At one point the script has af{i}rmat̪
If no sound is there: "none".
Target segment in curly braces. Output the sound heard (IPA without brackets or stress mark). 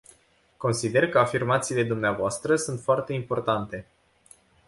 i